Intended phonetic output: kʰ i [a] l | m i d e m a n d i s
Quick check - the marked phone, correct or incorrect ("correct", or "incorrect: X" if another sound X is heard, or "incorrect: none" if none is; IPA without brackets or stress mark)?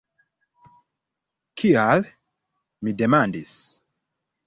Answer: correct